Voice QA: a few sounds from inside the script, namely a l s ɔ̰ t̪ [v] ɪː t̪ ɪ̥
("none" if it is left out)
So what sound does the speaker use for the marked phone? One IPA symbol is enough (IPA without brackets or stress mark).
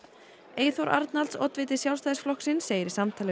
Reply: v